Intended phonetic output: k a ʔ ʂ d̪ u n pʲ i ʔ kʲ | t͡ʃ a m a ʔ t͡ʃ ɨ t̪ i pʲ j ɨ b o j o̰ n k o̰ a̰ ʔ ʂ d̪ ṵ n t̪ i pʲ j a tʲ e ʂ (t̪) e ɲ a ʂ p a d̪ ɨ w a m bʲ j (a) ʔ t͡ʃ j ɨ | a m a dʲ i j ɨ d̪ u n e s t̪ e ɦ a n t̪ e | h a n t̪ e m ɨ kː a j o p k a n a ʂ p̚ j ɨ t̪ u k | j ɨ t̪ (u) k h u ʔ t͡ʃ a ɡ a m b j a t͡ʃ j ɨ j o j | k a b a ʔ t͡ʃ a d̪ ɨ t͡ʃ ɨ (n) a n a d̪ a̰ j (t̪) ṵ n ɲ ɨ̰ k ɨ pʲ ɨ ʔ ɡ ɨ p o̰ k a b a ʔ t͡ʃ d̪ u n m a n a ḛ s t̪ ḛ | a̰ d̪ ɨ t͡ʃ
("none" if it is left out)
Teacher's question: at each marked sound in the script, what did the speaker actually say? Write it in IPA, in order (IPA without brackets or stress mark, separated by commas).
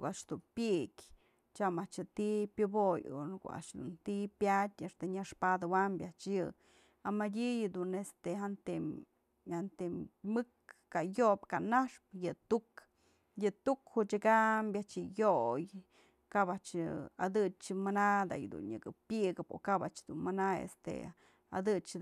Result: t̪, a, u, m, d̪